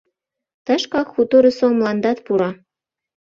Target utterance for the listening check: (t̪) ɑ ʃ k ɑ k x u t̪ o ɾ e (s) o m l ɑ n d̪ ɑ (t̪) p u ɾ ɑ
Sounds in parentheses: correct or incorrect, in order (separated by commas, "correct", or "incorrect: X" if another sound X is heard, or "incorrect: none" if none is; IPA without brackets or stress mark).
correct, correct, correct